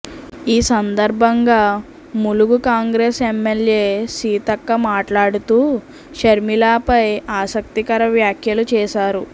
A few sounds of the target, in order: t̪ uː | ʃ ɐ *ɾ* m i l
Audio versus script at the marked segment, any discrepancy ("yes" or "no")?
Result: no